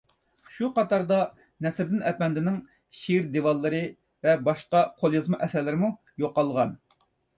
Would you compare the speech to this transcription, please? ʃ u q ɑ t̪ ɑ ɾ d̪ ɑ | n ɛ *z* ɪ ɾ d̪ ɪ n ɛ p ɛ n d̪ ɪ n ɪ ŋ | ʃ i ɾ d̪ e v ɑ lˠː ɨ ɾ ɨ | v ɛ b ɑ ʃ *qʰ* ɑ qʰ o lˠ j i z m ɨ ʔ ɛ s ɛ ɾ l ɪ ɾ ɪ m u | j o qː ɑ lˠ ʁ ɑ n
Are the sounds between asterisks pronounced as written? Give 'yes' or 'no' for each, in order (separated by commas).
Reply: no, no